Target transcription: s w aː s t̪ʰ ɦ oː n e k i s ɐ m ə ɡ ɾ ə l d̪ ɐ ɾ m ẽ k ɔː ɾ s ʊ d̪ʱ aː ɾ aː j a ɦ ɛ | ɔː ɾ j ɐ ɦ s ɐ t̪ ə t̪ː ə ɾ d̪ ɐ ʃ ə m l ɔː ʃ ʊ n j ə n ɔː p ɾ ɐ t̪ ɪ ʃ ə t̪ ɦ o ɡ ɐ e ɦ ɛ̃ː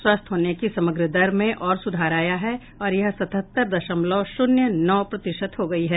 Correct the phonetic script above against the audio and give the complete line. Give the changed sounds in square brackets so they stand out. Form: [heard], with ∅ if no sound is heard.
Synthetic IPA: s w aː s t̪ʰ ɦ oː n e k i s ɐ m ə ɡ ɾ ə [∅] d̪ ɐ ɾ m ẽ [ʔ] ɔː ɾ s ʊ d̪ʱ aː ɾ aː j a ɦ ɛ | ɔː ɾ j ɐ ɦ s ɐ t̪ ə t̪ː ə ɾ d̪ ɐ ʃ ə m l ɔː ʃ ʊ n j ə n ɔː p ɾ ɐ t̪ ɪ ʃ ə t̪ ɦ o ɡ ɐ [i] ɦ [ɛː]